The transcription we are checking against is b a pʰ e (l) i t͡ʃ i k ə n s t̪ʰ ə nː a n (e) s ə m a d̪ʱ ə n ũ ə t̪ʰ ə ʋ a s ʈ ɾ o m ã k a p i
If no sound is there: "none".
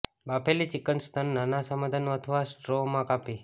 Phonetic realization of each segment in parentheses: l, a

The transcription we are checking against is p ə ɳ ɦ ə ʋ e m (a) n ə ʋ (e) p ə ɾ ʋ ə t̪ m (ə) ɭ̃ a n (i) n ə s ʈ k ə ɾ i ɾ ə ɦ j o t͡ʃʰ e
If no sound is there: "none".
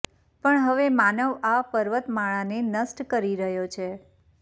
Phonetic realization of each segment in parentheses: a, a, a, e

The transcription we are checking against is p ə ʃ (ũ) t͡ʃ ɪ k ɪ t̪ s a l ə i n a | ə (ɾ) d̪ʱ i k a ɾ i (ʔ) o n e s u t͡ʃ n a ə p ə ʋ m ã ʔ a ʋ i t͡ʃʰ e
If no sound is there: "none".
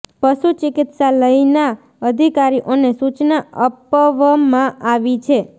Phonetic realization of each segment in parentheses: u, none, ʔ

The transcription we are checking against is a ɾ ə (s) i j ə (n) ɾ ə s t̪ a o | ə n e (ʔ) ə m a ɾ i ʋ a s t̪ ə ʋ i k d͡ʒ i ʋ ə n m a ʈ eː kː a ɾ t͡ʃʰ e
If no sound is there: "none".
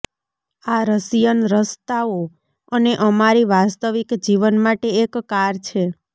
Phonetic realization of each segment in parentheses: s, n, ʔ

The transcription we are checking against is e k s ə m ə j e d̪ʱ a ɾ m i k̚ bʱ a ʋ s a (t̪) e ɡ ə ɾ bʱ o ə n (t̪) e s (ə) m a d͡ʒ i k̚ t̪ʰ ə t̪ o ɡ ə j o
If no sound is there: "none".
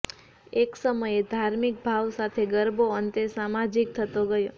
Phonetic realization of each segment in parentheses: t̪ʰ, t̪, a

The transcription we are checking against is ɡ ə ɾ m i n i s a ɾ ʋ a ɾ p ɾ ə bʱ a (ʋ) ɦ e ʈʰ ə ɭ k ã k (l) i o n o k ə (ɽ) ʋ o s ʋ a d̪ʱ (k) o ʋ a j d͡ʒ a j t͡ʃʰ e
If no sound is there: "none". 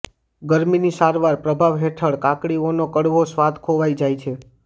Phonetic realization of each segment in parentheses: ʋ, ɽ, ɽ, kʰ

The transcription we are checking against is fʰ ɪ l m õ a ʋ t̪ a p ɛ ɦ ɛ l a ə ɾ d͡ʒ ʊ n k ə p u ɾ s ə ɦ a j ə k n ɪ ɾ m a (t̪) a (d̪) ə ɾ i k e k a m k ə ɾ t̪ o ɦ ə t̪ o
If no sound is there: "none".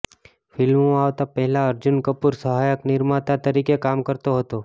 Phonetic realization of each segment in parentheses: t̪, t̪

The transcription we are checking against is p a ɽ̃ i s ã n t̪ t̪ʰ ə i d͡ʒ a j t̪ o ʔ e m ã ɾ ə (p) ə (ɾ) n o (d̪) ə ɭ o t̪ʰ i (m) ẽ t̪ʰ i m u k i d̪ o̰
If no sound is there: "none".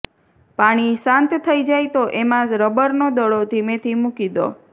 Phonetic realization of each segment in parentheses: b, ɾ, d̪, m

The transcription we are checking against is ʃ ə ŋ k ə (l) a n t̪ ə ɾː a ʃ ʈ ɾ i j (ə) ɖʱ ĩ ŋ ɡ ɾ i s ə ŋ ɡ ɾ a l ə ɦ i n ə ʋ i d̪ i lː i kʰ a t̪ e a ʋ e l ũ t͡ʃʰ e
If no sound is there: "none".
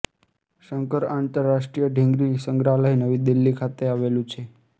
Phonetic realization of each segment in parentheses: ɾ, ə

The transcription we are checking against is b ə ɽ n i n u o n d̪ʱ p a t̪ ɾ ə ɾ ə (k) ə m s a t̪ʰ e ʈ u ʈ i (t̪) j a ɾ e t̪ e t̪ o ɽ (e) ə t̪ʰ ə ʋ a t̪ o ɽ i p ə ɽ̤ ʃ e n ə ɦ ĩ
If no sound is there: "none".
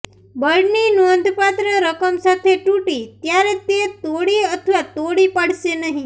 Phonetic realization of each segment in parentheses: k, t̪, i

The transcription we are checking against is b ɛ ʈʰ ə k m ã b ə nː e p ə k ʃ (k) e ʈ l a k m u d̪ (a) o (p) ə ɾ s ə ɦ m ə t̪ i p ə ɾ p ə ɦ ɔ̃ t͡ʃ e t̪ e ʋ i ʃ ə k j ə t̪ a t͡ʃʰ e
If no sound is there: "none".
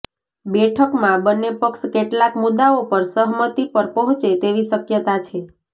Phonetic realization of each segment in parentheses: k, a, p

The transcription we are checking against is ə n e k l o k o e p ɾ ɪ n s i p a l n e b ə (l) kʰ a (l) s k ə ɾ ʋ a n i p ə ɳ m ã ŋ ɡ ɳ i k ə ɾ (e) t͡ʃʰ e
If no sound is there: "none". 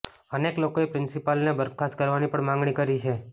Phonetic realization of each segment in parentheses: ɾ, none, i

